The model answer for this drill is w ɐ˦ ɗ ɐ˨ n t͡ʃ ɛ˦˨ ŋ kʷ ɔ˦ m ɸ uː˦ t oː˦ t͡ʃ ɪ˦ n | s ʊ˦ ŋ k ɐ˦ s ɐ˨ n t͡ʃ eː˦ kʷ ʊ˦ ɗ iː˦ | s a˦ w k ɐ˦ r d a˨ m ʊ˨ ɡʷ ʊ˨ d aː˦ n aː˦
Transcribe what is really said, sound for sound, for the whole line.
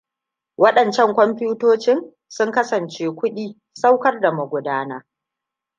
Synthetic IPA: w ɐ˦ ɗ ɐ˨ n t͡ʃ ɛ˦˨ ŋ kʷ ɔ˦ m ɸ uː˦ t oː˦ t͡ʃ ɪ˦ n | s ʊ˦ ŋ k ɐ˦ s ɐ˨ n t͡ʃ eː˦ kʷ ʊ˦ ɗ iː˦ | s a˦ w k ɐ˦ r d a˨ m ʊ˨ ɡʷ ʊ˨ d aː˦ n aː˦

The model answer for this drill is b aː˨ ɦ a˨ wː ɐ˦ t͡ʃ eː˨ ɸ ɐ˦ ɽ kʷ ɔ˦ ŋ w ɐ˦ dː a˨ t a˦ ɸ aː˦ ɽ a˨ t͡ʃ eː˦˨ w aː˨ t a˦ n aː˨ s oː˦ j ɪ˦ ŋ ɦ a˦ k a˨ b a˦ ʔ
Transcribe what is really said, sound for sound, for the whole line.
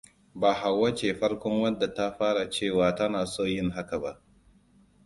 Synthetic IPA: b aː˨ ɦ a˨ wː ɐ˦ t͡ʃ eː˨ ɸ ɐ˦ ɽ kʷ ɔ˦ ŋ w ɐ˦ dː a˨ t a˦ ɸ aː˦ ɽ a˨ t͡ʃ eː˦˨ w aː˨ t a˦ n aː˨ s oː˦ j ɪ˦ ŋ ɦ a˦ k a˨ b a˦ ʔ

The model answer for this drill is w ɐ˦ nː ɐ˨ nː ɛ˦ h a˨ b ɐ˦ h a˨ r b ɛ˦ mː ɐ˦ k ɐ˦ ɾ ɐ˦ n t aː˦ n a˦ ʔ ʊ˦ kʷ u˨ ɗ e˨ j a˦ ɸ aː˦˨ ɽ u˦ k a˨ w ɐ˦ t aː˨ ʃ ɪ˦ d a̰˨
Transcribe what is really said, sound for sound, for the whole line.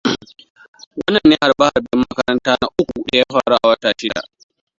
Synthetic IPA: w ɐ˦ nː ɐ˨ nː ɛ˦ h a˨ b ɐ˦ h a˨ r b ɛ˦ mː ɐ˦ k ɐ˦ ɾ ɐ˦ n t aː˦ n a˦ ʔ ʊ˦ kʷ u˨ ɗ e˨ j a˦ ɸ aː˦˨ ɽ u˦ ʔ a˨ w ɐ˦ t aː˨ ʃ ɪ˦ d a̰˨

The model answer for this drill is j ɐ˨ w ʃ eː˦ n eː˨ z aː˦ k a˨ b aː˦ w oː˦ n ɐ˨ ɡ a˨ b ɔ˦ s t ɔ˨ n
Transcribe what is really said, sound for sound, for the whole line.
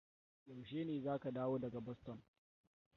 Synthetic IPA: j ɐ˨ w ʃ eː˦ n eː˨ z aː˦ k a˨ d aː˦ w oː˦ d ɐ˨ ɡ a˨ b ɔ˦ s t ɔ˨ n

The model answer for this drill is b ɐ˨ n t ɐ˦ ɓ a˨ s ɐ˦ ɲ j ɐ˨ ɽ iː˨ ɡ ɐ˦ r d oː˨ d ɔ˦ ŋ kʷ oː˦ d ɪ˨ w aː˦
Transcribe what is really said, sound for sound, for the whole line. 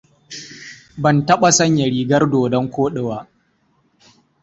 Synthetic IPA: b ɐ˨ n t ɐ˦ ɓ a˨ s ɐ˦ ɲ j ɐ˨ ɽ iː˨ ɡ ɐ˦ r d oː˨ d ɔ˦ ŋ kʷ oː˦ ɗ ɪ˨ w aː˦

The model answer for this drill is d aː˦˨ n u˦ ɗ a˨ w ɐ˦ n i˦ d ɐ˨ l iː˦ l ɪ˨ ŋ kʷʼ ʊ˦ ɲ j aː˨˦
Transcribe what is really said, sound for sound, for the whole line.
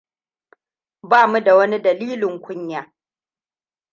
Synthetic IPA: b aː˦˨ m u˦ d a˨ w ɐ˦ n i˦ d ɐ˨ l iː˦ l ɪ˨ ŋ kʷ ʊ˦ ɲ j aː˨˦

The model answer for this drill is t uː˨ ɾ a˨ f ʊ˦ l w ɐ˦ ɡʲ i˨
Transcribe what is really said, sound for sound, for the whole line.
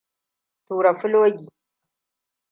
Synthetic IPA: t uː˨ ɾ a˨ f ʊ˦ l w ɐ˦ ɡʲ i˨

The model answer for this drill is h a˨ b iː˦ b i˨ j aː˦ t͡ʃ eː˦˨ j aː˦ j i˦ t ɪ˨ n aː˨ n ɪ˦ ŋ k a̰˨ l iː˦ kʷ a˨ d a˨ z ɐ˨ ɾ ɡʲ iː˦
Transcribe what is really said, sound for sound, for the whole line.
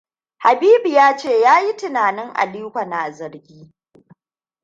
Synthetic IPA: h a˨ b iː˦ b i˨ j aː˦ t͡ʃ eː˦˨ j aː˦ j i˦ t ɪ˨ n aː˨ n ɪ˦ ŋ ʔ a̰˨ l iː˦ kʷ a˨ n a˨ z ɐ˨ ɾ ɡʲ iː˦

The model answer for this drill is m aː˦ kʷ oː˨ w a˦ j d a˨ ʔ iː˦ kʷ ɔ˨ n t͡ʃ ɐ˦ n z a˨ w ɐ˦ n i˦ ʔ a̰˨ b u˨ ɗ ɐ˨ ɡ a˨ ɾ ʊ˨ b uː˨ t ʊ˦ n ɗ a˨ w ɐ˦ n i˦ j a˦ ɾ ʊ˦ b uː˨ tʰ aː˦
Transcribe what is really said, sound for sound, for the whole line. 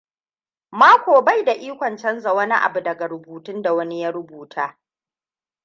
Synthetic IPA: m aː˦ kʷ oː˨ b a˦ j d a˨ ʔ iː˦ kʷ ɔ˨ n t͡ʃ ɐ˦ n z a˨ w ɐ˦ n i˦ ʔ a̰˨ b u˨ d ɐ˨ ɡ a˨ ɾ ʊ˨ b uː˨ t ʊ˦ n d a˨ w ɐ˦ n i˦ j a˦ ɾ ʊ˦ b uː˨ tʰ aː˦

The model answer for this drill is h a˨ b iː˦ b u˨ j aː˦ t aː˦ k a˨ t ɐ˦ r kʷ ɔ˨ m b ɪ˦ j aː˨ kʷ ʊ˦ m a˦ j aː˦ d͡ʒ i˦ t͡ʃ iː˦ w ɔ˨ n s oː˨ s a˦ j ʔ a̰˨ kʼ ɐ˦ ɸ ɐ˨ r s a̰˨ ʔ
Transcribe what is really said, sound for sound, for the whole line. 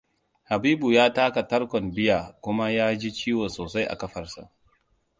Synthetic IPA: h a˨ b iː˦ b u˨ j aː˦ t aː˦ k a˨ t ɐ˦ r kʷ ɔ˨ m b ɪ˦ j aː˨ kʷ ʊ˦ m a˦ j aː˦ d͡ʒ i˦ t͡ʃ iː˦ w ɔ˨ n s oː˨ s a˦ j ʔ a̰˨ k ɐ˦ ɸ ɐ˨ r s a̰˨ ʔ

